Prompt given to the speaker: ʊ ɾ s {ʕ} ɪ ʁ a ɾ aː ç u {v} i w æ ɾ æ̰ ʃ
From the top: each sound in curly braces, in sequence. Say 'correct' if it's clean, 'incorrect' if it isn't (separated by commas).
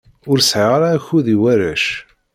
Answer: correct, incorrect